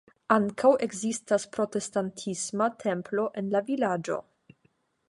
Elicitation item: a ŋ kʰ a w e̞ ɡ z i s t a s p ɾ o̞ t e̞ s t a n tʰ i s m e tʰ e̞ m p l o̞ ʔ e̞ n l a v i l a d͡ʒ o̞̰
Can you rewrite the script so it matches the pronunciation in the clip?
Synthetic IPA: a ŋ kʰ a w e̞ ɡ z i s t a s p ɾ o̞ t e̞ s t a n tʰ i s m a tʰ e̞ m p l o̞ ʔ e̞ n l a v i l a d͡ʒ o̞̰

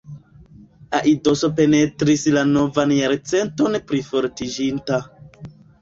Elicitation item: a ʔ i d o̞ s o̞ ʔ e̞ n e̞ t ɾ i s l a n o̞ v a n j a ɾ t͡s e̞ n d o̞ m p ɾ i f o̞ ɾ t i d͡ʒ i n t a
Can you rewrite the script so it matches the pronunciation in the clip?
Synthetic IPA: a ʔ i d o̞ s o̞ p e̞ n e̞ t ɾ i s l a n o̞ v a n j a ɾ t͡s e̞ n t o̞ n p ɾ i f o̞ ɾ t i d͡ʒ i n t a

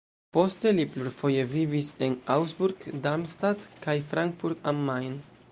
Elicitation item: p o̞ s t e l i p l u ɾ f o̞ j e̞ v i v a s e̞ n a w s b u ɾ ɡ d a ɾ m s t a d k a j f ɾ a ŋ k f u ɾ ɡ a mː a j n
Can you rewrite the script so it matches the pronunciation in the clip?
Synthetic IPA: p o̞ s t e l i p l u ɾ f o̞ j e̞ v i v i s e̞ n a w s b u ɾ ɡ d a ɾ m s t a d k a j f ɾ a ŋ k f u ɾ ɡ a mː a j n

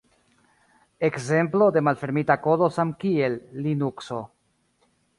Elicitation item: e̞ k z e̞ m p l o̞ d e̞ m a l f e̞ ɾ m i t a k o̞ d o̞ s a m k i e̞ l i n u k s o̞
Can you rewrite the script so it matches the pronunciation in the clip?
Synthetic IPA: e̞ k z e̞ m p l o̞ d e̞ m a l f e̞ ɾ m i t a k o̞ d o̞ s a m k i e̞ lː i n u k s o̞

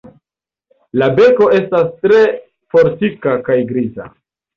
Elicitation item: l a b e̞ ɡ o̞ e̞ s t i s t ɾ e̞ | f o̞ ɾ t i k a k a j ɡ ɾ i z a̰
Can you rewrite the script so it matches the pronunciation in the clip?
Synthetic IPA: l a b e̞ k o̞ e̞ s t a s t ɾ e̞ | f o̞ ɾ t i k a k a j ɡ ɾ i z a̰

